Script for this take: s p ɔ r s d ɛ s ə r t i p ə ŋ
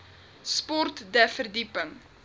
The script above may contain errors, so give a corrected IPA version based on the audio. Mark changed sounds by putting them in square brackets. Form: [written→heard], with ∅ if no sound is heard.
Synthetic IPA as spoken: s p ɔ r [s→t] d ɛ [s→f] ə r [t→d] i p ə ŋ